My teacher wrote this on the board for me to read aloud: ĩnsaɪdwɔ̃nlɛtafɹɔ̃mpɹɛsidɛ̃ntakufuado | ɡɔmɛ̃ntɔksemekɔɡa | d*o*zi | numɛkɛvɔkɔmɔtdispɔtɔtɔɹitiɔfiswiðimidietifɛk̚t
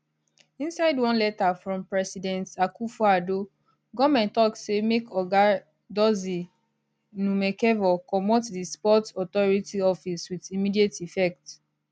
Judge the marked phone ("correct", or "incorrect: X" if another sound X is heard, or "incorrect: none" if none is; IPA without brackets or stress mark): incorrect: ɔ